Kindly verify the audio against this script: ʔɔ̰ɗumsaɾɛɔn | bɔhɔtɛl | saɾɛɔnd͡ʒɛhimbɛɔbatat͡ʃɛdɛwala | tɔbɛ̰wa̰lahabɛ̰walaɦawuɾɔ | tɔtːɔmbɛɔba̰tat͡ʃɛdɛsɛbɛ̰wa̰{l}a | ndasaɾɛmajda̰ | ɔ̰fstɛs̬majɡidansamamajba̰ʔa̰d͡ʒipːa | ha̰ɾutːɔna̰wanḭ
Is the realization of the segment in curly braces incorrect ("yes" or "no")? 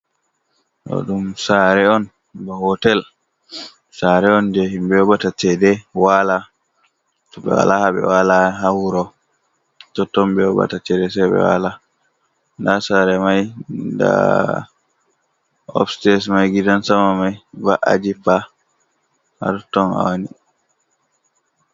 no